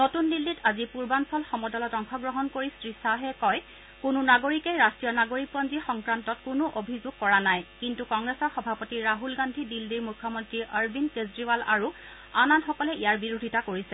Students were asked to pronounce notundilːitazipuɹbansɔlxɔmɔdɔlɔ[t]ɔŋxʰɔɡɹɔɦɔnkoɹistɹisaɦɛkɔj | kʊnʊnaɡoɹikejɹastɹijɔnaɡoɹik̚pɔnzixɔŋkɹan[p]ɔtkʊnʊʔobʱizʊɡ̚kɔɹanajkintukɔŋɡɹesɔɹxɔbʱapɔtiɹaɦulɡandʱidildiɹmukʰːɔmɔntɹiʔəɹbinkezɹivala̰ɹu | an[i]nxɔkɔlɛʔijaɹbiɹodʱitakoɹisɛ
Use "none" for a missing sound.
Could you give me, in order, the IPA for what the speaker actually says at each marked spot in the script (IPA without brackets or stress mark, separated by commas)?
t, t, a